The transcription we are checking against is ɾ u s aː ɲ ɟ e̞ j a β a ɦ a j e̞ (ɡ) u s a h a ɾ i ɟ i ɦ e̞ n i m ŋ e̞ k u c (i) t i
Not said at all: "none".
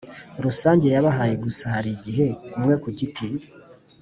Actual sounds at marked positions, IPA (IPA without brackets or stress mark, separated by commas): ɡ, i